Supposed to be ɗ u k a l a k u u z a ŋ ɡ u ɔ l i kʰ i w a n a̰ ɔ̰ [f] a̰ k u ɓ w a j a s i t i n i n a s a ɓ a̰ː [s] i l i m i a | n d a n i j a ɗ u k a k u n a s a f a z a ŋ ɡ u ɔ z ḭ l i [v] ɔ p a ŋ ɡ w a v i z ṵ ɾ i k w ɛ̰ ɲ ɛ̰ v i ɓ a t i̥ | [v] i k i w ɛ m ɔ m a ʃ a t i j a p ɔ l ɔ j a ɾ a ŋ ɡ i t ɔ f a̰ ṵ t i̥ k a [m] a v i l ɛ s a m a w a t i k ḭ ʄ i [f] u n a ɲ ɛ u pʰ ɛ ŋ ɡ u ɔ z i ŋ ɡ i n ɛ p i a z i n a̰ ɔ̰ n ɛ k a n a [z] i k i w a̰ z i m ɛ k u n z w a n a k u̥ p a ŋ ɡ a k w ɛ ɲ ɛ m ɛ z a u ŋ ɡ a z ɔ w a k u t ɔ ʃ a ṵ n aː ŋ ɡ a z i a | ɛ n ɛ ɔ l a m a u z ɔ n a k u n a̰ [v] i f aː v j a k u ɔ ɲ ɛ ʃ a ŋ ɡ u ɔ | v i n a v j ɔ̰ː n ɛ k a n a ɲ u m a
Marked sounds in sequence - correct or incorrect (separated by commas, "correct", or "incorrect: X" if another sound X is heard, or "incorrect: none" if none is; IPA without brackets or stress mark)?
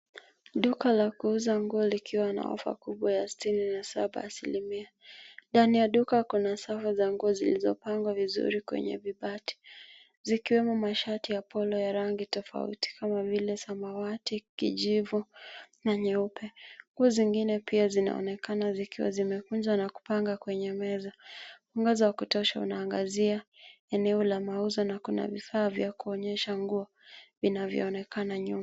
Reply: correct, correct, incorrect: z, incorrect: z, correct, incorrect: v, correct, correct